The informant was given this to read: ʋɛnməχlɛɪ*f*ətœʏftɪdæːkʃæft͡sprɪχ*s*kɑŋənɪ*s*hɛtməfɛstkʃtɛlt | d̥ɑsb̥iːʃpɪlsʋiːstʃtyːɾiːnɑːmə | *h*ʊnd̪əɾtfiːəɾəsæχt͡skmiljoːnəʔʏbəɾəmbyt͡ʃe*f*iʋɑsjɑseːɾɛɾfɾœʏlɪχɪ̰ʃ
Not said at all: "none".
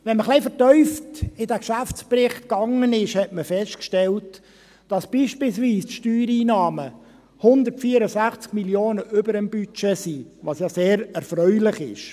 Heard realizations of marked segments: f, t, ʃ, h, s

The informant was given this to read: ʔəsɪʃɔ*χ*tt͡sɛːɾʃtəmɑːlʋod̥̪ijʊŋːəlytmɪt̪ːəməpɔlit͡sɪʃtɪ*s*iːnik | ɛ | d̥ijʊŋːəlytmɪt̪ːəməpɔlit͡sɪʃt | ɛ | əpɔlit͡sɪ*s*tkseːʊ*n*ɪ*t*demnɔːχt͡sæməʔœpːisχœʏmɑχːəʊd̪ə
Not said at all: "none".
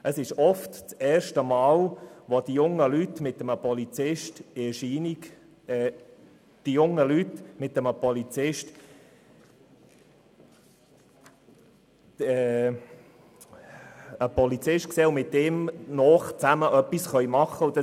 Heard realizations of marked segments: f, ʃ, ʃ, m, t

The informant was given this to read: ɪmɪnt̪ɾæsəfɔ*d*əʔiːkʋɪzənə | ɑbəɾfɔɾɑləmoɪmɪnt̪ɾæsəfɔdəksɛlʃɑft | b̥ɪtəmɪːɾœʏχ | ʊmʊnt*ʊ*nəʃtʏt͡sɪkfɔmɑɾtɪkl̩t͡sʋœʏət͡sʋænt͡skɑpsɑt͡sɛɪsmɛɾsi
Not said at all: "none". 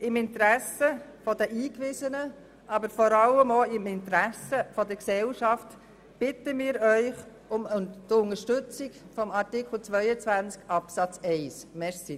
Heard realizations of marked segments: d, ʊ

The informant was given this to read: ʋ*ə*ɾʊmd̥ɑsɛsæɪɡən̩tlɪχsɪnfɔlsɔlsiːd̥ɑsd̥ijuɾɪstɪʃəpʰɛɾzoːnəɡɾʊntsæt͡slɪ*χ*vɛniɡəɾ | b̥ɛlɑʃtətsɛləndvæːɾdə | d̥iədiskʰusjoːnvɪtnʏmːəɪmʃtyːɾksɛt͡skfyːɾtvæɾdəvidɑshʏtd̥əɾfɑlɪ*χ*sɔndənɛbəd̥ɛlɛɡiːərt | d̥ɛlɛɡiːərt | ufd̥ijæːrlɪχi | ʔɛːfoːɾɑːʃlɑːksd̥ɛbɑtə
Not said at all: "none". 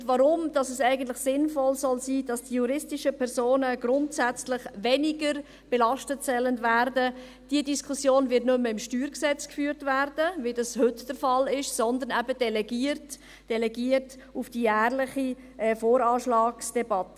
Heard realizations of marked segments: ɑ, χ, ʃ

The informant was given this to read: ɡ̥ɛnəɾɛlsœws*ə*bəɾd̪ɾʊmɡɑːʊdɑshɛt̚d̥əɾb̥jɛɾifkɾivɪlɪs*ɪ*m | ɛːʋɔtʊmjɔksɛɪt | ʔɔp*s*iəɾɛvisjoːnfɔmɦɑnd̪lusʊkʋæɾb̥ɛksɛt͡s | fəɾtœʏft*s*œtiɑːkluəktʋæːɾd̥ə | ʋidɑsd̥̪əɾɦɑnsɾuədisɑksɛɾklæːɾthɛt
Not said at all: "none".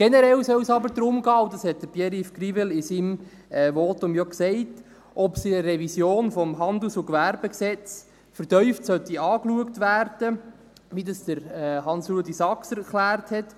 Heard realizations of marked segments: ɑ, i, s, s

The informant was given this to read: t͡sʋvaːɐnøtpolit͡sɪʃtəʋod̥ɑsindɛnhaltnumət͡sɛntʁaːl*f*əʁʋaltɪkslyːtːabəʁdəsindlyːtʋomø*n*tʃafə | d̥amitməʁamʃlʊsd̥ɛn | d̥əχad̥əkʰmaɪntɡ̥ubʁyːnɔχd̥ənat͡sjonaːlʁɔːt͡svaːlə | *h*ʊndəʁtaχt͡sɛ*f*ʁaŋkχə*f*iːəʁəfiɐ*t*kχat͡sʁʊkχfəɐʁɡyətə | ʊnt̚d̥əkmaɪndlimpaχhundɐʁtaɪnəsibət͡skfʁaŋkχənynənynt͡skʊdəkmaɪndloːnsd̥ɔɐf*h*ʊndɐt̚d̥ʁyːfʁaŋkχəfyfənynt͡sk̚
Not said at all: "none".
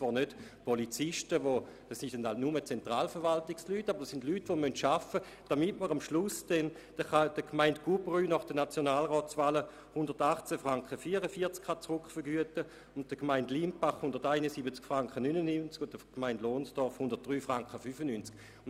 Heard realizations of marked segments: f, n, h, f, f, t͡s, h

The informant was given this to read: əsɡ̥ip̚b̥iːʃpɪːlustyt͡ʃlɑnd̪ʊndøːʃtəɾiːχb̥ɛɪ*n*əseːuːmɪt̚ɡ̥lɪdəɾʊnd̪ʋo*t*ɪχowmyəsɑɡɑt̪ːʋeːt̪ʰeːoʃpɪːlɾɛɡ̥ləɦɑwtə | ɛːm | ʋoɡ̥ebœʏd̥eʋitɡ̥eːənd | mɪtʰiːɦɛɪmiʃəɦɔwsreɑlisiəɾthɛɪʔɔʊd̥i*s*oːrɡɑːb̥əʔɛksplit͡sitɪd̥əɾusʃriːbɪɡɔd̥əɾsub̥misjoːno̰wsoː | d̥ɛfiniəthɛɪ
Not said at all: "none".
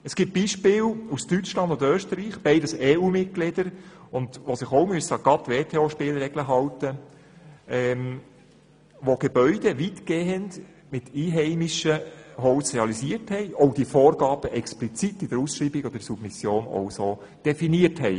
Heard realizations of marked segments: d, s, f

